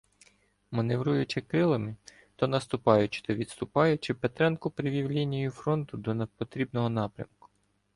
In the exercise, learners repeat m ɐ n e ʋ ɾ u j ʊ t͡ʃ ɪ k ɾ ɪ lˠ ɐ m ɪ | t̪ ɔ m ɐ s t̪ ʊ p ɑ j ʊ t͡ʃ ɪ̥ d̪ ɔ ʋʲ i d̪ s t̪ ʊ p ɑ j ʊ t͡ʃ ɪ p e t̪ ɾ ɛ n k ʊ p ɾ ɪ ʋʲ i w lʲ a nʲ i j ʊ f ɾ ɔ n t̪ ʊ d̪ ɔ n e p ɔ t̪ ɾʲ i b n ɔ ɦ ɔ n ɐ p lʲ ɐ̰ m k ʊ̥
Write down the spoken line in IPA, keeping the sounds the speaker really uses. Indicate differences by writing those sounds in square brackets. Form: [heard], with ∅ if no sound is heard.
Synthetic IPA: m ɐ n e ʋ ɾ u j ʊ t͡ʃ ɪ k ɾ ɪ lˠ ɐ m ɪ | t̪ ɔ [n] ɐ s t̪ ʊ p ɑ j ʊ t͡ʃ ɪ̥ [t̪] ɔ ʋʲ i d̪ s t̪ ʊ p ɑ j ʊ t͡ʃ ɪ p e t̪ ɾ ɛ n k ʊ p ɾ ɪ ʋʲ i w lʲ [i] nʲ i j ʊ f ɾ ɔ n t̪ ʊ d̪ ɔ n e p ɔ t̪ ɾʲ i b n ɔ ɦ ɔ n [ɑ] p [ɾʲ] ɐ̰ m k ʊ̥